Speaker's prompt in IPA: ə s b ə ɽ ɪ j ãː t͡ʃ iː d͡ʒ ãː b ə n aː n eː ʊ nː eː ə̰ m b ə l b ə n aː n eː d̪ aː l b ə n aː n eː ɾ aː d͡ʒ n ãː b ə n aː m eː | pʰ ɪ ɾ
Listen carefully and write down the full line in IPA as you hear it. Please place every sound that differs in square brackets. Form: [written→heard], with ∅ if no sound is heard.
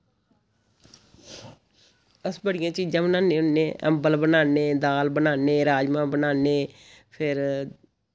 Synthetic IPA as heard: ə s b ə ɽ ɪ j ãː t͡ʃ iː d͡ʒ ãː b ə n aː n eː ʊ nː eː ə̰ m b ə l b ə n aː n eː d̪ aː l b ə n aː n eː ɾ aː d͡ʒ [n→m] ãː b ə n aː [m→n] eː | pʰ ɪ ɾ